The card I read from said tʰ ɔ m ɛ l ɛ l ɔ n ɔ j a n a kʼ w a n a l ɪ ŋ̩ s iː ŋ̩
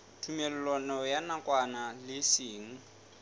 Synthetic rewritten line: tʰ u m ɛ l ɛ l ɔ n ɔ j a n a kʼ w a n a l ɪ s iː ŋ̩

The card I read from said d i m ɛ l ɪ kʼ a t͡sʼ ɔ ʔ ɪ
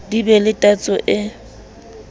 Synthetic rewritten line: d i b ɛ l ɪ tʼ a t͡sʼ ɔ ʔ ɪ

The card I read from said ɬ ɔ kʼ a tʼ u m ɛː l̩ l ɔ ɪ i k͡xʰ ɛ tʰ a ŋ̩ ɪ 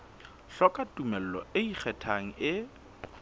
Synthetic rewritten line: ɬ ɔ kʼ a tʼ u m ɛ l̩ l ɔ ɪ i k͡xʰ ɛ tʰ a ŋ̩ ɪ

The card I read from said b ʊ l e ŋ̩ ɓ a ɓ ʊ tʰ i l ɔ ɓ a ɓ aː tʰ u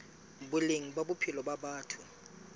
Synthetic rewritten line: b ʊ l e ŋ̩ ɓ a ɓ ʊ pʰ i l ɔ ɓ a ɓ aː tʰ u

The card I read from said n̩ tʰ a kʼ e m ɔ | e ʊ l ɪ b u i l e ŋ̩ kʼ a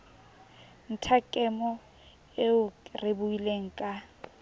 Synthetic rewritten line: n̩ tʰ a kʼ ɛ m ɔ | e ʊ r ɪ b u i l e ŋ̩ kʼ a

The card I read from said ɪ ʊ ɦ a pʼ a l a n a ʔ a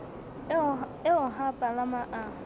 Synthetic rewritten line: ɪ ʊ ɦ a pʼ a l a m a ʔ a

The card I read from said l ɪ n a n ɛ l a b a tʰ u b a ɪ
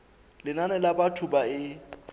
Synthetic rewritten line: l ɪ n a n ɛ l a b a tʰ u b a ɪ

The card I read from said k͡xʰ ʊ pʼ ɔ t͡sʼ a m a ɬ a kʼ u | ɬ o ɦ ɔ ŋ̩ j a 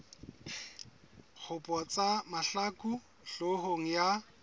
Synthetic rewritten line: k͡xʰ ʊ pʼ ɔ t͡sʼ a m a ɬ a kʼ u | ɬ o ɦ o ŋ̩ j a

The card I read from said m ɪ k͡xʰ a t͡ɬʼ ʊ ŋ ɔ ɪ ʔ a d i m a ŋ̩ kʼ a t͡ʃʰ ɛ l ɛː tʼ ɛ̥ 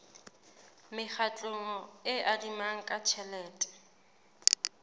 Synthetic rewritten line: m ɪ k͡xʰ a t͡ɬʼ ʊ ŋ ɔ ɪ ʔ a d i m a ŋ̩ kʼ a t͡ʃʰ ɛ l ɛː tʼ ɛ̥

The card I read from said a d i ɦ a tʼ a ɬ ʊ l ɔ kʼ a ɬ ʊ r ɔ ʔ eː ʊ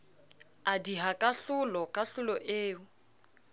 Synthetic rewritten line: a d i ɦ a kʼ a ɬ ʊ l ɔ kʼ a ɬ ʊ l ɔ ʔ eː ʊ

